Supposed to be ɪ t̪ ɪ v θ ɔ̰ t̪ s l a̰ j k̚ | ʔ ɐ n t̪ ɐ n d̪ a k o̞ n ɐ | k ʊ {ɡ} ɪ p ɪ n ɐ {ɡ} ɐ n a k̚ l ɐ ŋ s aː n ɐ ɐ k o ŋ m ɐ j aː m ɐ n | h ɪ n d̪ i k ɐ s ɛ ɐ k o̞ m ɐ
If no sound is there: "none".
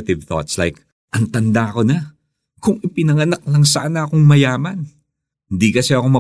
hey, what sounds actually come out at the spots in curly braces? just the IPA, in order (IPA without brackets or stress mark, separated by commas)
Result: ŋ, ŋ